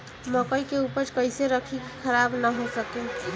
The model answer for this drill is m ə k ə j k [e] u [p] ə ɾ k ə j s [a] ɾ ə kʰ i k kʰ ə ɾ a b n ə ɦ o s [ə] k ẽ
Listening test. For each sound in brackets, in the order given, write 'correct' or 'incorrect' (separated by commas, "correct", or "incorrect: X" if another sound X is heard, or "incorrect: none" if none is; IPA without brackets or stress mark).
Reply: correct, correct, incorrect: e, correct